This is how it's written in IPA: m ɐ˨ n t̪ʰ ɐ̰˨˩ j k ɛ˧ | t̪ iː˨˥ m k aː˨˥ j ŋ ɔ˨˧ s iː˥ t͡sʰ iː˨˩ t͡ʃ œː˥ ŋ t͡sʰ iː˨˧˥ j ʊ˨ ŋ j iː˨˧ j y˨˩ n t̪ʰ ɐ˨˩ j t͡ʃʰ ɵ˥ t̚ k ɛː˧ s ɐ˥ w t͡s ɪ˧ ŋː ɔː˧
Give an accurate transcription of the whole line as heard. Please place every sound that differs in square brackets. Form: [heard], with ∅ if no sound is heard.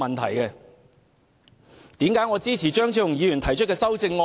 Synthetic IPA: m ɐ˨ n t̪ʰ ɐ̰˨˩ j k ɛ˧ | t̪ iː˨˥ m k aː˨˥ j ŋ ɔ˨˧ [t͡s] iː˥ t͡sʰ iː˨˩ t͡ʃ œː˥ ŋ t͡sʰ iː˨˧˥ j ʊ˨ ŋ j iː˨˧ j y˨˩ n t̪ʰ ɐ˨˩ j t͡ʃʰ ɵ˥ t̚ k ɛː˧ s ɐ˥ w t͡s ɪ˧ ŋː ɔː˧